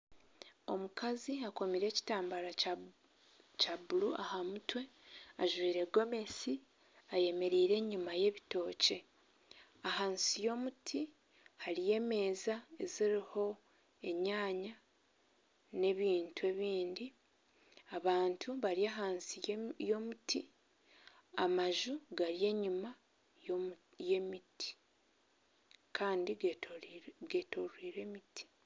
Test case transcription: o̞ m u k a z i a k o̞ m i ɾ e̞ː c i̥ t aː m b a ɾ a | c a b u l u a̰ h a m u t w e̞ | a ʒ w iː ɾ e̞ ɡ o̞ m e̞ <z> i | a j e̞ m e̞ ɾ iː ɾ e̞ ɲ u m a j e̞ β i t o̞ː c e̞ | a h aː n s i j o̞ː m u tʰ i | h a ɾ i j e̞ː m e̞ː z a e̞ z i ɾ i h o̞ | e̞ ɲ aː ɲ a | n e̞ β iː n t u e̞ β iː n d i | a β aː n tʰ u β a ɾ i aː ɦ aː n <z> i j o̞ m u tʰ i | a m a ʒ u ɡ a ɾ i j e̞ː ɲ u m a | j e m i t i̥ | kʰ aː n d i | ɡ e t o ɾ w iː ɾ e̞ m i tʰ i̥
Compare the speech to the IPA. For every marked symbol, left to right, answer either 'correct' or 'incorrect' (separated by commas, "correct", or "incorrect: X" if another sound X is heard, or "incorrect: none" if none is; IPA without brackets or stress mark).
incorrect: s, incorrect: s